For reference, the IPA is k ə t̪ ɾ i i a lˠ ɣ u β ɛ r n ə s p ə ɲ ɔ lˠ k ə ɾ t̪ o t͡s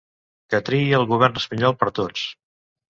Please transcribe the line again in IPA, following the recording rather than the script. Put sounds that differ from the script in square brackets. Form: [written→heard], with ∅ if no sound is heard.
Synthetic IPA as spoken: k ə t̪ ɾ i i [a→ə] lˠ ɣ u β ɛ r n ə s p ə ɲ ɔ lˠ [k→p] ə ɾ t̪ o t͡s